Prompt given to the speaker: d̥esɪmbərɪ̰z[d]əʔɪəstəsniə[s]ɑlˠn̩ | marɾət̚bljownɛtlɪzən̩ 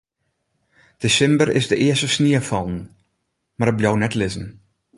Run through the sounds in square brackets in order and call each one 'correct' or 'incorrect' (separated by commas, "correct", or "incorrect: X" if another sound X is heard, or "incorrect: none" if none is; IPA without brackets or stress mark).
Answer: correct, incorrect: f